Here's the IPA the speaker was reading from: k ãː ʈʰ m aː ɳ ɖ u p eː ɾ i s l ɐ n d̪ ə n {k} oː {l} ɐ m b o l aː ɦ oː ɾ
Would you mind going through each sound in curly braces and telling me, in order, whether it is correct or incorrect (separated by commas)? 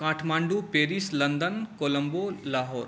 correct, correct